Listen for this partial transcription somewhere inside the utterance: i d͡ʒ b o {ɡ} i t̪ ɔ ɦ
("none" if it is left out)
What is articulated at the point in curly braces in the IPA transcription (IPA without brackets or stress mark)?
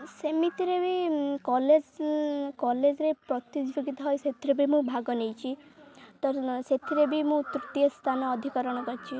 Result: ɡ